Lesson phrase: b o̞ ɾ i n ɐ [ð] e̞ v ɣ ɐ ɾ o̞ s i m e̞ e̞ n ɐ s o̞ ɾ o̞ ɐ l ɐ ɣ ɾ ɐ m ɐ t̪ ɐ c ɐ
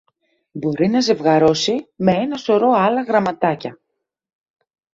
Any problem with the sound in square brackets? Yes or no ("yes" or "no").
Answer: yes